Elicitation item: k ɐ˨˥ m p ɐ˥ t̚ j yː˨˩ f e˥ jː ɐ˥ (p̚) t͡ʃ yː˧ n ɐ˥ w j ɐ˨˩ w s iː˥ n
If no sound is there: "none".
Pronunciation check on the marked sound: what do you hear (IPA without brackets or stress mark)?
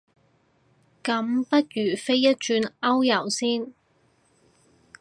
t̚